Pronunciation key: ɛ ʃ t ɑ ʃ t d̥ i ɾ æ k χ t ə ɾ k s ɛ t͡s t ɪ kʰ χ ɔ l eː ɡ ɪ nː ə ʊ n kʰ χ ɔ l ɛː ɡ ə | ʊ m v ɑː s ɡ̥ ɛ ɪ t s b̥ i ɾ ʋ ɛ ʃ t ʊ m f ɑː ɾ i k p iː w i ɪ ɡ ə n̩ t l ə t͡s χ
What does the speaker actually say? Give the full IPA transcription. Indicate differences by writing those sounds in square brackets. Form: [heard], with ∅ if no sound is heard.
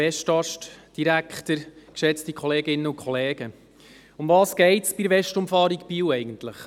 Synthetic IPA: ɛ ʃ t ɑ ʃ t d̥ i ɾ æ k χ t ə ɾ k [ʃ] ɛ t͡s t [i] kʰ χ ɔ l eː ɡ ɪ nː ə ʊ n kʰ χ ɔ l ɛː ɡ ə | ʊ m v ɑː s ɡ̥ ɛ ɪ t s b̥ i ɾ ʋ ɛ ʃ t ʊ m f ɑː ɾ i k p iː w [ɛ] ɪ ɡ ə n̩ t l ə [∅] χ